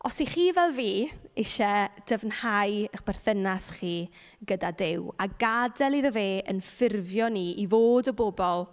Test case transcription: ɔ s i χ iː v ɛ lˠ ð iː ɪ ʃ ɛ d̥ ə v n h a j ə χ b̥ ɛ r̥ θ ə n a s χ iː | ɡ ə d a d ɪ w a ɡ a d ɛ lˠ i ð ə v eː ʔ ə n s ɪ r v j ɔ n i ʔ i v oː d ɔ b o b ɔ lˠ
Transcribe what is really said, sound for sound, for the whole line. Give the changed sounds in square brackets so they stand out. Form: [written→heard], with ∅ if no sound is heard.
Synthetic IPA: ɔ s i χ iː v ɛ lˠ [ð→v] iː ɪ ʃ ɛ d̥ ə v n h a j ə χ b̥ ɛ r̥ θ ə n a s χ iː | ɡ ə d a d ɪ w a ɡ a d ɛ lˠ i ð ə v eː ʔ ə n [s→f] ɪ r v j ɔ n i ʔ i v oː d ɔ b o b ɔ lˠ